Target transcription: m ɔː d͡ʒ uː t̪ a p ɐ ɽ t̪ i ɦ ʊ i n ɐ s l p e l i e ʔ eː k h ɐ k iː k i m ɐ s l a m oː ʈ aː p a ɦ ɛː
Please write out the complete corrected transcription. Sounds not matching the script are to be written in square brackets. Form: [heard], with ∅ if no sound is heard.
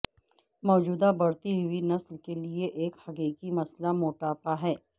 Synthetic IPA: m ɔː d͡ʒ uː [d̪] a [b] ɐ ɽ t̪ i ɦ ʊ i n ɐ s l [k] e l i e ʔ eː k h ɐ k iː k i m ɐ s l a m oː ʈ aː p a ɦ ɛː